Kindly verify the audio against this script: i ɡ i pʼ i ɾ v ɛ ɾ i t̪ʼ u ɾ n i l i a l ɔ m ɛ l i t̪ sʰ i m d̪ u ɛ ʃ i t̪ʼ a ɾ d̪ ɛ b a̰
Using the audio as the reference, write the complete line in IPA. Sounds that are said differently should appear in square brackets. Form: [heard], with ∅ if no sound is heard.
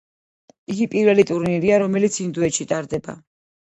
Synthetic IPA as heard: i ɡ i pʼ i ɾ v ɛ [l] i t̪ʼ u ɾ n i [ɾ] i a [ɾ] ɔ m ɛ l i t̪ sʰ i [n] d̪ u ɛ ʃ i t̪ʼ a ɾ d̪ ɛ b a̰